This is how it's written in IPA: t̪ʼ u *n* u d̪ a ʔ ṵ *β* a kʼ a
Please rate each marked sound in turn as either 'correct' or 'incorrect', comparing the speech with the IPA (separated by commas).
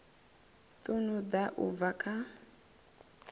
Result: correct, incorrect